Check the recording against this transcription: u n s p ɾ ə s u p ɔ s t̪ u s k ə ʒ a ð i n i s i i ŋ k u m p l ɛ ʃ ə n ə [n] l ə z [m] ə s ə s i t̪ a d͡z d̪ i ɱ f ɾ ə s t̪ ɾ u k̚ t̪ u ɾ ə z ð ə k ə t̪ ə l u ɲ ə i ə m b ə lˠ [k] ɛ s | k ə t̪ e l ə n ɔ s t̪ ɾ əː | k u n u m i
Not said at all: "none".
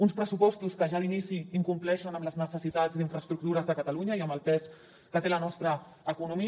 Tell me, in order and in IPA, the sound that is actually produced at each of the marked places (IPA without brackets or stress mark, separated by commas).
m, n, p